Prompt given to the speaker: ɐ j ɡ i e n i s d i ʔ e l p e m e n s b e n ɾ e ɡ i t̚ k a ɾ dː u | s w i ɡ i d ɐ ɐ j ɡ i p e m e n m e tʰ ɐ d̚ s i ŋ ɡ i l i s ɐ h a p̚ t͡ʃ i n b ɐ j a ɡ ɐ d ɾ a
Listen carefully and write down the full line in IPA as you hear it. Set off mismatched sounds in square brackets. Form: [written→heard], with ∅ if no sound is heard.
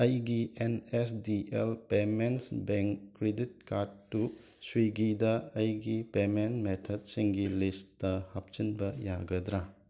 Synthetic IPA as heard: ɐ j ɡ i e n [i→e] s d i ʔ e l p e m e n s b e [n→ŋ] ɾ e [ɡ→d] i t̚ k a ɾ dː u | s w i ɡ i d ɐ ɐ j ɡ i p e m e n m e tʰ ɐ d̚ s i ŋ ɡ i l i s ɐ h a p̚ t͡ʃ i n b ɐ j a ɡ ɐ d ɾ a